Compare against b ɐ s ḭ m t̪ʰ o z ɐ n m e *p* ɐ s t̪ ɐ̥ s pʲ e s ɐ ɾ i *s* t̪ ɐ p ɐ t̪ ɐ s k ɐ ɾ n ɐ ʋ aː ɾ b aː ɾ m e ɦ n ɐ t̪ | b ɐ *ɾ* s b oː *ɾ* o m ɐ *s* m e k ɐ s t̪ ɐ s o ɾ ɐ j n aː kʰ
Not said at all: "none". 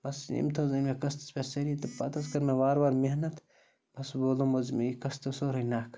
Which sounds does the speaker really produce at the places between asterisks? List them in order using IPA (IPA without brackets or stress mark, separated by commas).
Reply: k, none, none, l, z